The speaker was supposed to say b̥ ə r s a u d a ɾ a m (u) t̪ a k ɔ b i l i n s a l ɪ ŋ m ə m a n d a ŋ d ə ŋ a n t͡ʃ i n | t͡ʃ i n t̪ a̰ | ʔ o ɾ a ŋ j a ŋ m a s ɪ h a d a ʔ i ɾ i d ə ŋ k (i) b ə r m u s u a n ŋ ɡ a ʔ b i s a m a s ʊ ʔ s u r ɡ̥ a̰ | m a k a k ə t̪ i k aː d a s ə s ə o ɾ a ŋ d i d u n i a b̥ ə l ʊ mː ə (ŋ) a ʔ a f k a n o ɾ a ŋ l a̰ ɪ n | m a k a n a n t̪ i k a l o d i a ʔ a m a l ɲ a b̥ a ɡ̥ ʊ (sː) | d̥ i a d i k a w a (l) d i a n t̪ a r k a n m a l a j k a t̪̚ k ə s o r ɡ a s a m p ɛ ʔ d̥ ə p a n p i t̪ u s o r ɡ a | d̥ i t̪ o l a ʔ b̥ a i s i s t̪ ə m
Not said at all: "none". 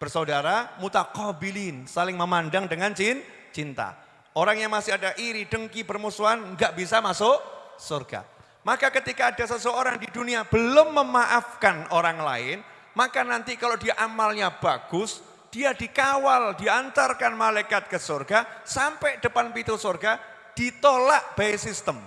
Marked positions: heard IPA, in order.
u, i, m, s, l

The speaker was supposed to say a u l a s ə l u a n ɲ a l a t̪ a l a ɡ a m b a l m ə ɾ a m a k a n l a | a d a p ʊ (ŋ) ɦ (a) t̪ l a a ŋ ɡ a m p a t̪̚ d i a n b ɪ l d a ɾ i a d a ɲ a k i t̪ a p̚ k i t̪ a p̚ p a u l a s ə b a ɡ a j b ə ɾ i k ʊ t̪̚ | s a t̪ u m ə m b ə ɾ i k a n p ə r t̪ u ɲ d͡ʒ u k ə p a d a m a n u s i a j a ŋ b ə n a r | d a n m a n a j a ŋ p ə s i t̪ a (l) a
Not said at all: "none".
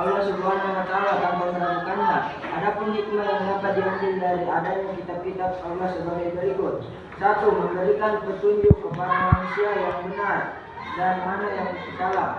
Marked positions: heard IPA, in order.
n, i, l

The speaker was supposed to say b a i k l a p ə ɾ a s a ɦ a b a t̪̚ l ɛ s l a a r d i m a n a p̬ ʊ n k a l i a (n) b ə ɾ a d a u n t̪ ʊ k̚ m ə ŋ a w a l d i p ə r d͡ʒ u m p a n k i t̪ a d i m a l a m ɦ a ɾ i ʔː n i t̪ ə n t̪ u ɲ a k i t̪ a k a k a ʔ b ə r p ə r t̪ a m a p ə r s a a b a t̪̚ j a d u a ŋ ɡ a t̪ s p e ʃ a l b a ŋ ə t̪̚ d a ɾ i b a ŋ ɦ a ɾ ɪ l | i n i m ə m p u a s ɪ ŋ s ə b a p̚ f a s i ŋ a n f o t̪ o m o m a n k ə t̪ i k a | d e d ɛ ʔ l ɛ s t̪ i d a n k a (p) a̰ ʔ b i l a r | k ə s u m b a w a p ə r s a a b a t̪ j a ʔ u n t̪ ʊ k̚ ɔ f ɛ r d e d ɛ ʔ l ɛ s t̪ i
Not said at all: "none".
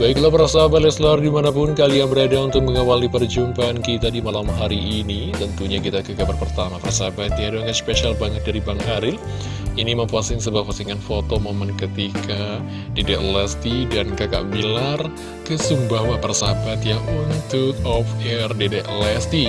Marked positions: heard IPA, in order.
ŋ, k

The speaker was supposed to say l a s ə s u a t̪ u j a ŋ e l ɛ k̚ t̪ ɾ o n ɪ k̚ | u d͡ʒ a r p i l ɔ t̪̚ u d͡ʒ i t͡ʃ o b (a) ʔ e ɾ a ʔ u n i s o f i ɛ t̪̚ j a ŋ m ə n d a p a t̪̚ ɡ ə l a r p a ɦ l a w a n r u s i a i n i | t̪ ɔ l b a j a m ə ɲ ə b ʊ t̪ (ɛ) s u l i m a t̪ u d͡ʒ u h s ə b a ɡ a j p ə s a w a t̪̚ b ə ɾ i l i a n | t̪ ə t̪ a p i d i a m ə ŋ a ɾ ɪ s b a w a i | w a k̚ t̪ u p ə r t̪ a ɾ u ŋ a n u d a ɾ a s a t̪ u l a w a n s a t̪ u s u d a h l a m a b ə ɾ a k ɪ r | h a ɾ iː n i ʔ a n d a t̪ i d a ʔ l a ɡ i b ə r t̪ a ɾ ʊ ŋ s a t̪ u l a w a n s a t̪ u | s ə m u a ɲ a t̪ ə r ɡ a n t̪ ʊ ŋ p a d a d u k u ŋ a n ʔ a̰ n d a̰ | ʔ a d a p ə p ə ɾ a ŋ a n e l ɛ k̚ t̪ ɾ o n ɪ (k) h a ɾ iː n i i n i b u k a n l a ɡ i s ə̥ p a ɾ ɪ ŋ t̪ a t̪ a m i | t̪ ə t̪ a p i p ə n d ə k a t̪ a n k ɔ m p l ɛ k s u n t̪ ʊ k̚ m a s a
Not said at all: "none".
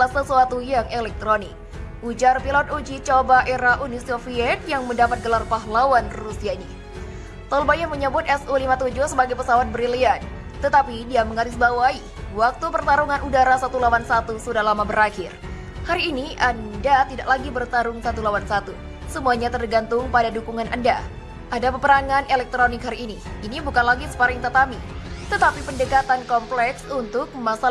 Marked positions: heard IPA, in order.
a, ɛ, k

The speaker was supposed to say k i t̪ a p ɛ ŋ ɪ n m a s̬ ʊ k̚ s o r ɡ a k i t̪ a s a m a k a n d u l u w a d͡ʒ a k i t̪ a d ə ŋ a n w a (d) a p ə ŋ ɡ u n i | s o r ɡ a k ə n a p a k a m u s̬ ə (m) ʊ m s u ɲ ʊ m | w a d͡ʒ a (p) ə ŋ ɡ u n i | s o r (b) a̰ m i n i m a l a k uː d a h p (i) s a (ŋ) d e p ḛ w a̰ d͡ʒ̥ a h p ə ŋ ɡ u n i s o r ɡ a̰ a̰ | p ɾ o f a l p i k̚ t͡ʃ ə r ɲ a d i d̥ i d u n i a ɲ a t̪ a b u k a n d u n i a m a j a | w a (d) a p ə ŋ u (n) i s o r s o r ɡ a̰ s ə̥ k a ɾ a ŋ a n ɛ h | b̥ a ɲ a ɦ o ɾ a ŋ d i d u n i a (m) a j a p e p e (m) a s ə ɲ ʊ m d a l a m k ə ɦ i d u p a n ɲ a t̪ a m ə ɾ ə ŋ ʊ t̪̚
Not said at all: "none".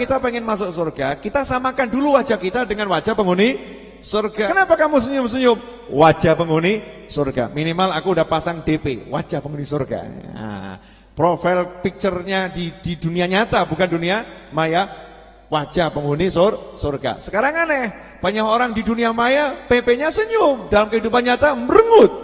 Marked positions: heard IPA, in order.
d͡ʒ, ɲ, p, ɡ, a, ŋ, d͡ʒ, n, m, ɲ

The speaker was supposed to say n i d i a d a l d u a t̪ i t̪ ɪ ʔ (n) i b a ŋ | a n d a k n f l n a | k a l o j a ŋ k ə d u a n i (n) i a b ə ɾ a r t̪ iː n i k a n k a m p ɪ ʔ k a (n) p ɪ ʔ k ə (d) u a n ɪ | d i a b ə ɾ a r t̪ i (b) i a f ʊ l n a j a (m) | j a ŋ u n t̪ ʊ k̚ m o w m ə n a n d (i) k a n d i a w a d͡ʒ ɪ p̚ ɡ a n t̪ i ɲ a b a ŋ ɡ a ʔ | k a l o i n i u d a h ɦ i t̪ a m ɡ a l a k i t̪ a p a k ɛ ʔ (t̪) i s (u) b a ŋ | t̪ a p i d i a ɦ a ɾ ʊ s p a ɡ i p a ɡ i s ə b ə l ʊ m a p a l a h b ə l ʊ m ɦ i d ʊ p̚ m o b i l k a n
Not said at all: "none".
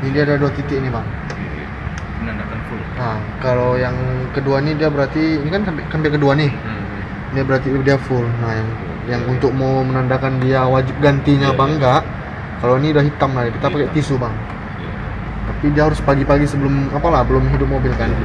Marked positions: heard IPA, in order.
n, d, m, d, d, ŋ, a, t̪, u

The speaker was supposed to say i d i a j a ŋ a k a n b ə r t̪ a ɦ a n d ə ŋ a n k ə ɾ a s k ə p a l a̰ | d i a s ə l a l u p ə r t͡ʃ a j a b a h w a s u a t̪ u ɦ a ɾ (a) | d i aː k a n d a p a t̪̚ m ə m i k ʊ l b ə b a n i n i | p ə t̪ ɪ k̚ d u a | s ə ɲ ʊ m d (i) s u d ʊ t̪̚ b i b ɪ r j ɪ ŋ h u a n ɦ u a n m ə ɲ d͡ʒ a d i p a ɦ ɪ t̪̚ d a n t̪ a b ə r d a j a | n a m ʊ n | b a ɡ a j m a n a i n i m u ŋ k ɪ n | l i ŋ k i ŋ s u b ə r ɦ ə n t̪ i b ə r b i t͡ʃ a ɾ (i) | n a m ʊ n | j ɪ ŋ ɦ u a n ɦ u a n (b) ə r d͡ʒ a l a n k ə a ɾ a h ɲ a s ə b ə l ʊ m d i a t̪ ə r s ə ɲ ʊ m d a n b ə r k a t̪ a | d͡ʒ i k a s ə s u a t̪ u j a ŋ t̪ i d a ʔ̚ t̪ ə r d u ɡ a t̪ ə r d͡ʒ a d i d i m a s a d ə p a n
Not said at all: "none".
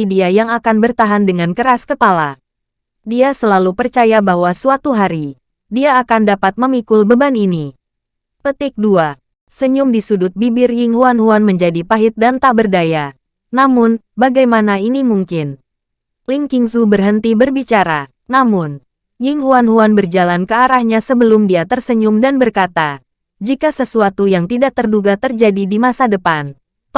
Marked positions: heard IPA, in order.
i, i, a, b

